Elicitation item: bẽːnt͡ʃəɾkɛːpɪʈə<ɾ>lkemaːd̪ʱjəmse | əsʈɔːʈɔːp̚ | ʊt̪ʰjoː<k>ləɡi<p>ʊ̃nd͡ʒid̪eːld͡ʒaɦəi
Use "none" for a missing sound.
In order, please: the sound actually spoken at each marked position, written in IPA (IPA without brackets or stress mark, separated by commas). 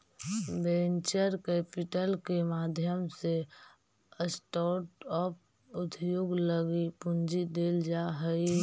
none, ɡ, p